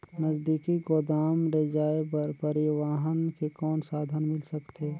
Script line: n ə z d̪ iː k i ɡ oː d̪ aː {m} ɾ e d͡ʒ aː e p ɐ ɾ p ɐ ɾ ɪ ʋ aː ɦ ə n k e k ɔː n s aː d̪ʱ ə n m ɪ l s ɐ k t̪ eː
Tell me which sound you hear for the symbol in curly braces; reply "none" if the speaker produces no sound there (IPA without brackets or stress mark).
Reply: m